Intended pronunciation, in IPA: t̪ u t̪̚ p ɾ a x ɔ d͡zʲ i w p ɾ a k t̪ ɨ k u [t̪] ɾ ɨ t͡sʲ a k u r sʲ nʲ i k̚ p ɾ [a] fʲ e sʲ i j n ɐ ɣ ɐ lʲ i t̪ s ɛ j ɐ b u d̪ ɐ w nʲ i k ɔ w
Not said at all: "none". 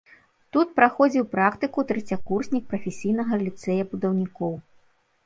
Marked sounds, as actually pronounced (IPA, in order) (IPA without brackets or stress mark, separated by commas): t̪, ɐ